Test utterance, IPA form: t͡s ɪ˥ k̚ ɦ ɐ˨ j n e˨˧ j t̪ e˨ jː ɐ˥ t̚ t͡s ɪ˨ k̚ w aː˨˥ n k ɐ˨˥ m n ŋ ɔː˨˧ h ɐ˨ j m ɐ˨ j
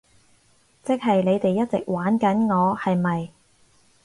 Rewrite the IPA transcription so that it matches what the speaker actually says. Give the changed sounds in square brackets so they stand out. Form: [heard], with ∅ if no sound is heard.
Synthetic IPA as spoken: t͡s ɪ˥ k̚ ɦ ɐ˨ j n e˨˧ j t̪ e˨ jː ɐ˥ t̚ t͡s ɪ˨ k̚ w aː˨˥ n k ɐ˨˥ [∅] n ŋ ɔː˨˧ h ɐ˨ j m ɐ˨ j